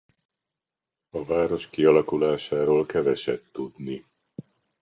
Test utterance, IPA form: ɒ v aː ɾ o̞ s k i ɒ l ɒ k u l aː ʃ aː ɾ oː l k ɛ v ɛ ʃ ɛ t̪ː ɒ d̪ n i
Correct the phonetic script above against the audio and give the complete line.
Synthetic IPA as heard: ɒ v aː ɾ o̞ ʃ k i ɒ l ɒ k u l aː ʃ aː ɾ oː l k ɛ v ɛ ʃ ɛ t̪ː u d̪ n i